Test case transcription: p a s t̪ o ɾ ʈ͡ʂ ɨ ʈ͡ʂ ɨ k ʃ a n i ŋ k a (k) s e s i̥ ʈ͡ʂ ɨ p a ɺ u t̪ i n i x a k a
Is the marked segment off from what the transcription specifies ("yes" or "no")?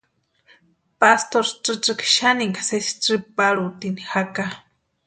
yes